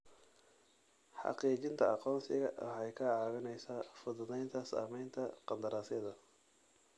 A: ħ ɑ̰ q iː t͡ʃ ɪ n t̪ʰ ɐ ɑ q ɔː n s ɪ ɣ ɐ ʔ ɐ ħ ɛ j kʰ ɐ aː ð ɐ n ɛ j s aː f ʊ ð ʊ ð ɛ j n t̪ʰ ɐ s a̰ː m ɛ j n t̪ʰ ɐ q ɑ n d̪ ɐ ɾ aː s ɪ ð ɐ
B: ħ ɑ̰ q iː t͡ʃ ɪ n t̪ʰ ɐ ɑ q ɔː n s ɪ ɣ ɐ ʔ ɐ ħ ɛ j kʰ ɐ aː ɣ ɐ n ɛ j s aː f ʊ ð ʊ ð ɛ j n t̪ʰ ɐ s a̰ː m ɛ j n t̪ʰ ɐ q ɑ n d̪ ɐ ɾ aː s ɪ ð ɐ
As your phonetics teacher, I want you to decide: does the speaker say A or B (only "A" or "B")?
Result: B